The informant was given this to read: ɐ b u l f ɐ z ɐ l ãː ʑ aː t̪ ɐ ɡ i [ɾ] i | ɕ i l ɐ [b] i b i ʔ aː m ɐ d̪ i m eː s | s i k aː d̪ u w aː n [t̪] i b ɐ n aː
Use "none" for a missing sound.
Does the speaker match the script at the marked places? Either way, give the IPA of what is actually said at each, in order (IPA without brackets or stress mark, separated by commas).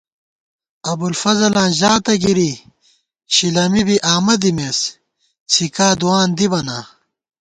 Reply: ɾ, m, d̪